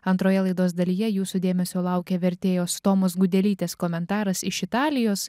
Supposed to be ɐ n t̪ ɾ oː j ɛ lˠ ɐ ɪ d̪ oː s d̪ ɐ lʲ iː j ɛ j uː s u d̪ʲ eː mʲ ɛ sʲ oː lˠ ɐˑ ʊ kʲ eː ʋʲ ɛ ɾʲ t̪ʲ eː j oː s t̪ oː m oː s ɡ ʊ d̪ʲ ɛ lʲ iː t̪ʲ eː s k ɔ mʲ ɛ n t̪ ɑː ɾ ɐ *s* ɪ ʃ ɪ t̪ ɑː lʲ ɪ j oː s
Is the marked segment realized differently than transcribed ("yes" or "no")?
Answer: no